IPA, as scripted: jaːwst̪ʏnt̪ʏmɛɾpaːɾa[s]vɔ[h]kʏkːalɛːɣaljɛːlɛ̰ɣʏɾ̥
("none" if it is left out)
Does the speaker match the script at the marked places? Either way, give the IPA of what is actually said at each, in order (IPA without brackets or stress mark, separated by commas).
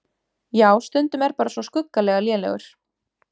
s, s